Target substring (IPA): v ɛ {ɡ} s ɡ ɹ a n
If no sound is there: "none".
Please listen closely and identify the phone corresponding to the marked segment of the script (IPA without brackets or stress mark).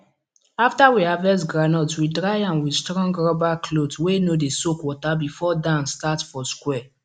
none